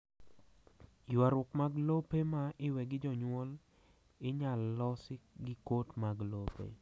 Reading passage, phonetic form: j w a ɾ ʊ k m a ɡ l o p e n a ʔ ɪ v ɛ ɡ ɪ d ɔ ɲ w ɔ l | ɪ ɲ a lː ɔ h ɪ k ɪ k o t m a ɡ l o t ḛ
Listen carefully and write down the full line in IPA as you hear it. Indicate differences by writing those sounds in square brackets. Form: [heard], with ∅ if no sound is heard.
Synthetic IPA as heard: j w a ɾ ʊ k m a ɡ l o p e [m] a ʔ ɪ [w] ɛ ɡ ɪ [d͡ʒ] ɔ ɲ w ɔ l | ɪ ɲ a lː ɔ [s] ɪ [ɡ] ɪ k o t m a ɡ l o [p] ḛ